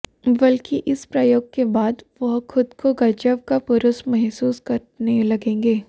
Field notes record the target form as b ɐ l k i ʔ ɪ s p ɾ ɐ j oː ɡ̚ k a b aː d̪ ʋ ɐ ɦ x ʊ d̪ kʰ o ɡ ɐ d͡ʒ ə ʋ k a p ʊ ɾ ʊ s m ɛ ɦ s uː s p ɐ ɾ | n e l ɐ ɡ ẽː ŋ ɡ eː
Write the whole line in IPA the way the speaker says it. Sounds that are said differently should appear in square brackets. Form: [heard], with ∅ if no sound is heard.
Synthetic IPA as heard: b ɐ l k i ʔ ɪ s p ɾ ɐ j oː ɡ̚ k [e] b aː d̪ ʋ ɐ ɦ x ʊ d̪ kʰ o ɡ ɐ d͡ʒ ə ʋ k a p ʊ ɾ ʊ s m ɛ ɦ s uː s [k] ɐ ɾ | n e l ɐ ɡ ẽː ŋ ɡ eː